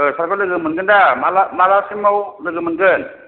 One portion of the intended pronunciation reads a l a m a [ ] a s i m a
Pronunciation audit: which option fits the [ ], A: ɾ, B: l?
B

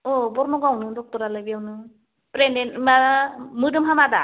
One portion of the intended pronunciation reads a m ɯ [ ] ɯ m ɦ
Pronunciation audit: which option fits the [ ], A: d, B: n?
A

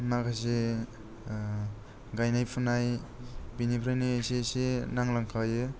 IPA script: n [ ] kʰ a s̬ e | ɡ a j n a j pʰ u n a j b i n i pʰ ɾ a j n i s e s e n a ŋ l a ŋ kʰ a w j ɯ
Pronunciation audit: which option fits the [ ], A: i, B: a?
B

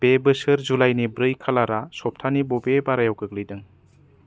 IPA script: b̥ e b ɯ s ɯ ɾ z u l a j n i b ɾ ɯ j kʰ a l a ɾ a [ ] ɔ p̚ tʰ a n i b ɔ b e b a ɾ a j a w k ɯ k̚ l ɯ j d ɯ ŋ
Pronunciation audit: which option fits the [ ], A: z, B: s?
B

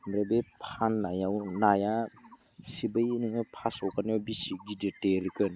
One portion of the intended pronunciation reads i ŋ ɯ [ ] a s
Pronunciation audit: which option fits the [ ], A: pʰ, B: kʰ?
A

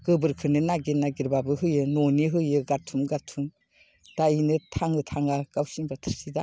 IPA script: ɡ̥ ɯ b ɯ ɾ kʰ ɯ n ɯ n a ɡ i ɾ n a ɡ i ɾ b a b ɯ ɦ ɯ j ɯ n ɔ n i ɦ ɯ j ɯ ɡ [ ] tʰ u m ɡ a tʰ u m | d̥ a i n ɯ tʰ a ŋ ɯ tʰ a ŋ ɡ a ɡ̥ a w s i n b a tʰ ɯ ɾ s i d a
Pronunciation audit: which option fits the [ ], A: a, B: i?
A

